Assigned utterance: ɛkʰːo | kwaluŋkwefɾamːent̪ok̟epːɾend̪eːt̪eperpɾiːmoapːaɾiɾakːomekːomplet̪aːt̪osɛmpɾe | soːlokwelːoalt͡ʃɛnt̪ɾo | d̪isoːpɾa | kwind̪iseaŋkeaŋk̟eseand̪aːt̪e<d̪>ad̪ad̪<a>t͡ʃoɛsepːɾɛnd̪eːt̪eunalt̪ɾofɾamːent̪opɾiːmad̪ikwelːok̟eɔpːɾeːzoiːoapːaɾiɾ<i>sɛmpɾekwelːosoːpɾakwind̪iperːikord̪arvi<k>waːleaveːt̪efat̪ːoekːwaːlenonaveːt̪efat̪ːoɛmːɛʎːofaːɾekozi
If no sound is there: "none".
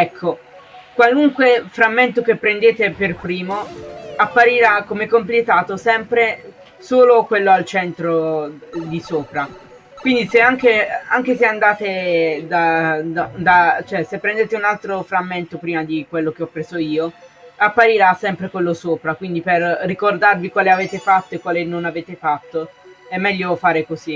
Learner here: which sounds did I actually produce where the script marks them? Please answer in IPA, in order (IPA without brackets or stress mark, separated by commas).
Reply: d̪, a, a, k